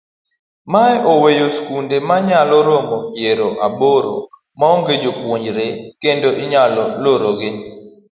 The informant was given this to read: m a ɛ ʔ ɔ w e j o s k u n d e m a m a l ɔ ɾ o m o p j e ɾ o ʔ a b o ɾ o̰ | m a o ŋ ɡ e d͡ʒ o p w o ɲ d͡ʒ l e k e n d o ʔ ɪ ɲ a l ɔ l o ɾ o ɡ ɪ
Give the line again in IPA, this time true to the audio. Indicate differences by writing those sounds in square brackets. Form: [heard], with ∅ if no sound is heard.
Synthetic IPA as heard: m a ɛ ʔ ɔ w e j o s k u n d e m a [ɲ] a l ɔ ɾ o m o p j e ɾ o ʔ a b o ɾ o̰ | m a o ŋ ɡ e d͡ʒ o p w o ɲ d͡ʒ [ɾ] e k e n d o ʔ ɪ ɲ a l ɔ l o ɾ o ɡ ɪ